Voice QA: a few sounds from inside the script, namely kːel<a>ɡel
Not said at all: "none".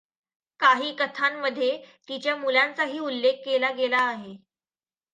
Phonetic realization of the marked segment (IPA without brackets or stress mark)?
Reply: a